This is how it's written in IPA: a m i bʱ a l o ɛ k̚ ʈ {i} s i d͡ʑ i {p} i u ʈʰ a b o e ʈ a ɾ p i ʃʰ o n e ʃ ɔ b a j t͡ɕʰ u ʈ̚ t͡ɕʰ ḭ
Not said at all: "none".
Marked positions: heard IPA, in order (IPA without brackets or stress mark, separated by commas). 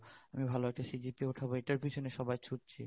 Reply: a, p